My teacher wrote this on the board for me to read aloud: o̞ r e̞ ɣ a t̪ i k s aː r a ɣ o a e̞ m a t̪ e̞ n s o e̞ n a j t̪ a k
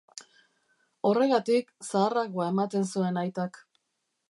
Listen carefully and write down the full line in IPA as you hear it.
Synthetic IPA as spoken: o̞ r e̞ ɣ a t̪ i k s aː r a ɣ o a e̞ m a t̪ e̞ n s u e̞ n a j t̪ a k